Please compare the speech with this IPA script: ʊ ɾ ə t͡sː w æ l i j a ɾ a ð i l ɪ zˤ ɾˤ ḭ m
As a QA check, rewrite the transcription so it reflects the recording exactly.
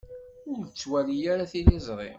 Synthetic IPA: ʊ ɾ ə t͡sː w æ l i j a ɾ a θ i l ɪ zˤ ɾˤ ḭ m